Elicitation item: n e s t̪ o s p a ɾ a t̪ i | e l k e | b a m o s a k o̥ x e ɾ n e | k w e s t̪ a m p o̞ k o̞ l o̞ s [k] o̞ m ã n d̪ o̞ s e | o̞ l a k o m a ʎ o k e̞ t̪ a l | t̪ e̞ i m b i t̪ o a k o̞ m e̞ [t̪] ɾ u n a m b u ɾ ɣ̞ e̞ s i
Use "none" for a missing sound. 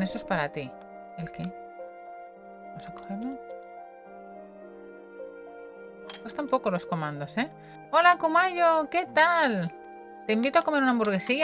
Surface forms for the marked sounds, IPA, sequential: k, none

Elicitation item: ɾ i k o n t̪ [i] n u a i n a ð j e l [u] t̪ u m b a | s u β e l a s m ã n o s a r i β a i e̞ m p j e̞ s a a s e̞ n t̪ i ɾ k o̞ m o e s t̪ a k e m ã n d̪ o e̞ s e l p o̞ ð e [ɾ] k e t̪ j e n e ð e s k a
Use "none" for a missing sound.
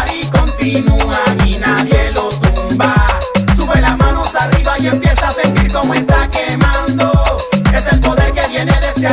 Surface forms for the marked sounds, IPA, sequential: i, o, ɾ

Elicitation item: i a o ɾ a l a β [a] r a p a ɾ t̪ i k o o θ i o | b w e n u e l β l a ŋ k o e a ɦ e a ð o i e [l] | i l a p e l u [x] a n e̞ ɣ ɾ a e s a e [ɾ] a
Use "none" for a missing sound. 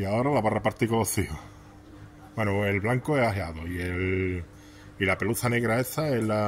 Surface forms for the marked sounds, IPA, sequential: a, l, θ, l

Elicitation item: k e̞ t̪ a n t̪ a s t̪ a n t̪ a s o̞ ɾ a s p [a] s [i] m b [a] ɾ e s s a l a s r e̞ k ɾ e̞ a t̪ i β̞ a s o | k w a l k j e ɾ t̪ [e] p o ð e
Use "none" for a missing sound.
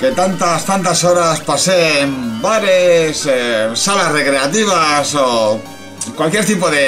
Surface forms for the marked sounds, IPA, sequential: a, e, a, i

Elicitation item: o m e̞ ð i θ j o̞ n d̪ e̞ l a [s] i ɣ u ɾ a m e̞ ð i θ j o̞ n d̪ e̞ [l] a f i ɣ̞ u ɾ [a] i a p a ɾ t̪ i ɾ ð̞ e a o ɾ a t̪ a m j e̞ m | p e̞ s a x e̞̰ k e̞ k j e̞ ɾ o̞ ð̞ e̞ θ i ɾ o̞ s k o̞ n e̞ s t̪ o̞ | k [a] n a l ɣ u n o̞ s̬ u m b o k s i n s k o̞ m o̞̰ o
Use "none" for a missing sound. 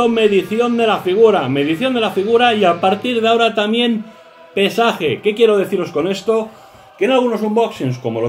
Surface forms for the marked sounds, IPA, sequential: f, l, a, e

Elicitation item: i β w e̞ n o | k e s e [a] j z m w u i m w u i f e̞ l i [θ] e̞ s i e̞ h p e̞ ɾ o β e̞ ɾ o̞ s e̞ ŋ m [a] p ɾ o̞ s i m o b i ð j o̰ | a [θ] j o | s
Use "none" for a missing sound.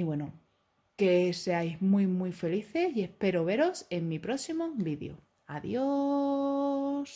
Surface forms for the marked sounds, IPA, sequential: a, θ, i, ð

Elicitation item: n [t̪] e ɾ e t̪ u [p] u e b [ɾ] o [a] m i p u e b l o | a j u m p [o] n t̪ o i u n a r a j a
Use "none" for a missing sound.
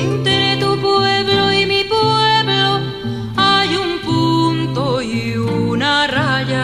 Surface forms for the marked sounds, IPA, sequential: t̪, p, l, i, u

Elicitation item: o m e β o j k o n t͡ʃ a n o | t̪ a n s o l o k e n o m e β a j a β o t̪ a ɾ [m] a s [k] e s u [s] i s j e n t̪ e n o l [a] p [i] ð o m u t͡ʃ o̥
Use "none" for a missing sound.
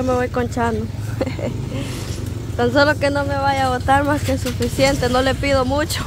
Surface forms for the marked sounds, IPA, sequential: m, k, f, e, i

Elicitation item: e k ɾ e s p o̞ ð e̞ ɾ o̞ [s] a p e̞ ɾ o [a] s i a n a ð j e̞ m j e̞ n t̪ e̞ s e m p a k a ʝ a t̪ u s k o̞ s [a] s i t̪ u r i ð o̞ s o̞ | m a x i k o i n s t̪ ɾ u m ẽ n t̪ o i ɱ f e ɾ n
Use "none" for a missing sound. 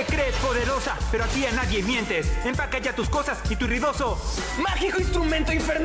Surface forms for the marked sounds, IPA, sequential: s, a, a

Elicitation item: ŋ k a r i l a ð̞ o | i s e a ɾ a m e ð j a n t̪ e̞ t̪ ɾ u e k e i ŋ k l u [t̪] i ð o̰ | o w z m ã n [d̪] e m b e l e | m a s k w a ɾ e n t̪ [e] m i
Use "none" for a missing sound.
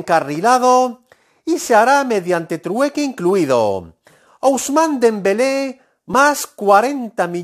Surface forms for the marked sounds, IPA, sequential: none, d̪, a

